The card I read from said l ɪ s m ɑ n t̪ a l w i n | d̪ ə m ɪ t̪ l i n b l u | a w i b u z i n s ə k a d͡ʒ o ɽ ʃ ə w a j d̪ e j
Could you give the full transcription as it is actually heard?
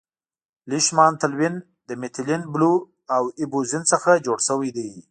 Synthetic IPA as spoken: l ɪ ʃ m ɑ n t̪ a l w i n | d̪ ə m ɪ t̪ l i n b l u | a w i b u z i n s ə x a d͡ʒ o ɽ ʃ ə w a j d̪ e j